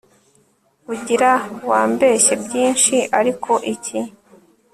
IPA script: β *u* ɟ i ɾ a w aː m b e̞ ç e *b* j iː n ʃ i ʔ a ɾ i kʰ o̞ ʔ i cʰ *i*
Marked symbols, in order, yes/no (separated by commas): yes, yes, yes